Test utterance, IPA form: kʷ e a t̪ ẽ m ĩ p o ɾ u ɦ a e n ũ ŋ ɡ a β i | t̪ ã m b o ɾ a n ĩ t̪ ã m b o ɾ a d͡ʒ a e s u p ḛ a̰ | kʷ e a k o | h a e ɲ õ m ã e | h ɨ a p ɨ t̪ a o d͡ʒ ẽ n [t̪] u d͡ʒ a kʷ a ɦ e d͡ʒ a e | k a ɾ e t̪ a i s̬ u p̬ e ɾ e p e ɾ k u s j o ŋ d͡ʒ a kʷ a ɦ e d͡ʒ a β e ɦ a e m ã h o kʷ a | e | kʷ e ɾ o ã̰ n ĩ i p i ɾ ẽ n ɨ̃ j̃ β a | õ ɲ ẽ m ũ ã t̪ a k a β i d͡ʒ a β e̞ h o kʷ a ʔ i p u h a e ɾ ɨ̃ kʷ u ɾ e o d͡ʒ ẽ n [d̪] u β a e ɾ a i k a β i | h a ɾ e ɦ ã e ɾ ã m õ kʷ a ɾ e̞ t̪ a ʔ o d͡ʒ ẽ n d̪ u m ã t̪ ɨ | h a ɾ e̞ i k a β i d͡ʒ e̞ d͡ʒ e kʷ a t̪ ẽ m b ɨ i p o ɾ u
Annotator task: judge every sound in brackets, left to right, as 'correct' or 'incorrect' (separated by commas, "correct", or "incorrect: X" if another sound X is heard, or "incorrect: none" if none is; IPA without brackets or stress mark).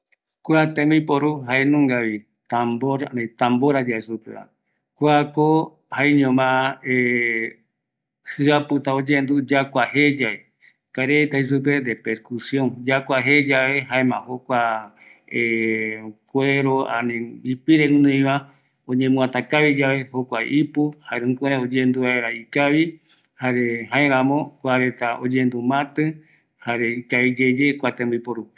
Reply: incorrect: d̪, correct